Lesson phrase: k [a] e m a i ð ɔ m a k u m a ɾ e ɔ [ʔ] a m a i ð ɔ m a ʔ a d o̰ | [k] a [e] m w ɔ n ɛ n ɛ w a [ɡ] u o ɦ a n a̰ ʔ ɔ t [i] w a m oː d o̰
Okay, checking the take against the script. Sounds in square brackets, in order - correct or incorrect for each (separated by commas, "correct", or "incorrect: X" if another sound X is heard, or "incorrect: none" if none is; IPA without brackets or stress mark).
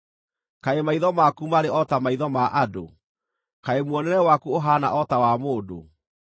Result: correct, incorrect: t, correct, correct, incorrect: k, incorrect: a